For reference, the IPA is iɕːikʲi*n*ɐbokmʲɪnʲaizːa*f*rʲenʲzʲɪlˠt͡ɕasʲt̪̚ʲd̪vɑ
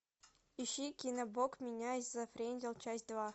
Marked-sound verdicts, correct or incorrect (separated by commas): correct, correct